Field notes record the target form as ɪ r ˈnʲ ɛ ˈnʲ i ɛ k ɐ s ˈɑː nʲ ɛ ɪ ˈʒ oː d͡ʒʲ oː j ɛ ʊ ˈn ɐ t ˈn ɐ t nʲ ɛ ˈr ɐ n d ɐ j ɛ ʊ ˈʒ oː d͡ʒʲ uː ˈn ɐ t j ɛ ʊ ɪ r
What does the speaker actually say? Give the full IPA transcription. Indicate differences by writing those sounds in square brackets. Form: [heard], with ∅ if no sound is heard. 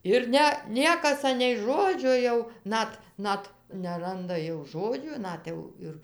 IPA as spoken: ɪ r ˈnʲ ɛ ˈnʲ i ɛ k ɐ s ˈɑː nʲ ɛ ɪ ˈʒ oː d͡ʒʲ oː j ɛ ʊ ˈn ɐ t ˈn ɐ t nʲ ɛ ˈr ɐ n d ɐ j ɛ ʊ ˈʒ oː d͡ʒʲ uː ˈn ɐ t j ɛ ʊ ɪ r